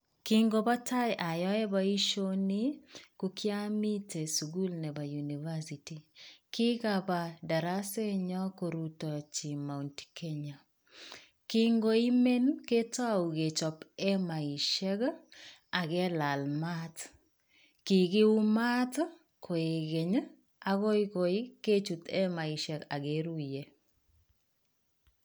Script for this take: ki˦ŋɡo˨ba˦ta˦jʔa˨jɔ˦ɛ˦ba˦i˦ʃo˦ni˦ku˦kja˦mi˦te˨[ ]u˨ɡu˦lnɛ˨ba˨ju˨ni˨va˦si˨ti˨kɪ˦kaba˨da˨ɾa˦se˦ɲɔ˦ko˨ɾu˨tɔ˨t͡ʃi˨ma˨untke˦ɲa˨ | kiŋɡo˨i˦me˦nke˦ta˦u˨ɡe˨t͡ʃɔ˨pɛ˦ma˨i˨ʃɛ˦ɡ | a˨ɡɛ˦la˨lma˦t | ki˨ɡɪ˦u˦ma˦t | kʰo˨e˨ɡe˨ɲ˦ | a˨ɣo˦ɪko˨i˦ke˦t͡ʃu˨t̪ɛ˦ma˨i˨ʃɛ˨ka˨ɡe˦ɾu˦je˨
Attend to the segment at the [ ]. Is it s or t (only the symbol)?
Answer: s